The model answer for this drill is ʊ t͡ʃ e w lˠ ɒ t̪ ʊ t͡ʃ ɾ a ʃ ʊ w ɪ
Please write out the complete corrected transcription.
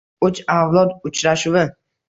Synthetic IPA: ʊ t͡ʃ a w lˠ ɒ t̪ ʊ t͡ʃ ɾ a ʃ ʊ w ɪ